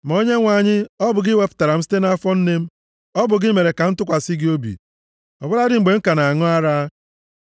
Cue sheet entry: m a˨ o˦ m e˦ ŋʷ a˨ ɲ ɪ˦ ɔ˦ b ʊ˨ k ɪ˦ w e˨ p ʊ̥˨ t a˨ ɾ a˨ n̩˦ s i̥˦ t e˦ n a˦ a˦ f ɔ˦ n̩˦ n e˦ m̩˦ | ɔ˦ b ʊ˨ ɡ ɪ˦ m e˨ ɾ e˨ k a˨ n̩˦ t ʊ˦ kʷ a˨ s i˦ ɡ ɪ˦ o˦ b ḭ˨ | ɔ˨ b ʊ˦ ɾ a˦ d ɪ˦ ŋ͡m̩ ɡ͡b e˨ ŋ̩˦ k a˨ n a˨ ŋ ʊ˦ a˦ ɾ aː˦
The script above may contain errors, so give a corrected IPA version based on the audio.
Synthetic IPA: m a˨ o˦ ɲ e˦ ŋʷ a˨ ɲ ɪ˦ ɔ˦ b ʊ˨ ɡ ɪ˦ w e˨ p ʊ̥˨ t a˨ ɾ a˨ m̩˦ s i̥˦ t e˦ n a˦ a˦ f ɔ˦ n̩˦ n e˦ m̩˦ | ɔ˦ b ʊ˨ ɡ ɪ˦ m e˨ ɾ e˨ k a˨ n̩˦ t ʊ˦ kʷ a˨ s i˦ ɡ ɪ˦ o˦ b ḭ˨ | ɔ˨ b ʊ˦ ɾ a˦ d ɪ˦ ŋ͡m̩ ɡ͡b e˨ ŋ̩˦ k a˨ n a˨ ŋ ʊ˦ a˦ ɾ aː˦